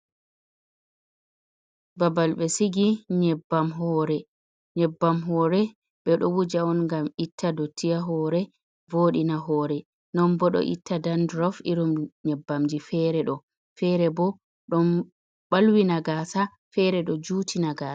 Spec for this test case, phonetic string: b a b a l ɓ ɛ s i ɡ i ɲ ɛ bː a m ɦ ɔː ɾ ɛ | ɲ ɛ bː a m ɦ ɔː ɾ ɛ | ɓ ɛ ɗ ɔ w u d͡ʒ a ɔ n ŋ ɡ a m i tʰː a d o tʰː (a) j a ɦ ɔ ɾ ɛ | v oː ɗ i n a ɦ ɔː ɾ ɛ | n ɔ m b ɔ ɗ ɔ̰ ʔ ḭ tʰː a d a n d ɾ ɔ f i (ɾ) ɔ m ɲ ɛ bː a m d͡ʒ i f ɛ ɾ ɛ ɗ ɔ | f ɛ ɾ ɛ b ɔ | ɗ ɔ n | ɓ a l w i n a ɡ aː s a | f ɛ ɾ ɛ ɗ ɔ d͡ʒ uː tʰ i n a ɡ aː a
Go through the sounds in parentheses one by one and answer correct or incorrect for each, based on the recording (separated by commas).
incorrect, correct